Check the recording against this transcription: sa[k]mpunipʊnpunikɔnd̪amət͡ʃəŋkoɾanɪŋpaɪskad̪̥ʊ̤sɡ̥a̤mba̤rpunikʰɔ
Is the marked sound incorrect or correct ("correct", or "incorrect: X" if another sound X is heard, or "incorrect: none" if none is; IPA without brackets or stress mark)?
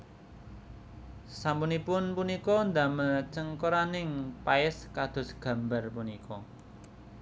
incorrect: none